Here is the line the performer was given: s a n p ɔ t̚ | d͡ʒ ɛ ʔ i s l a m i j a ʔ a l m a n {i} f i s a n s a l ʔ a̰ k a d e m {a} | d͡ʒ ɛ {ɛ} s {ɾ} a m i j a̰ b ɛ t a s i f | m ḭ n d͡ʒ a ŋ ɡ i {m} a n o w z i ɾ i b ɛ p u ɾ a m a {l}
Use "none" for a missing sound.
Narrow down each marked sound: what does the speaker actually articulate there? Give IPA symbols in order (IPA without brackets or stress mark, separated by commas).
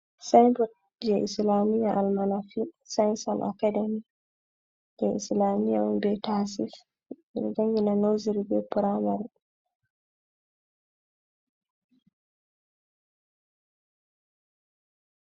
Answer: a, i, i, l, n, ɾ